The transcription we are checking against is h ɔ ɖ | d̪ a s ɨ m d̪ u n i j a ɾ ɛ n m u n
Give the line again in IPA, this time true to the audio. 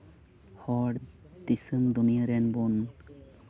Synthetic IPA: h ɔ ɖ | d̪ i s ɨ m d̪ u n i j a ɾ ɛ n b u n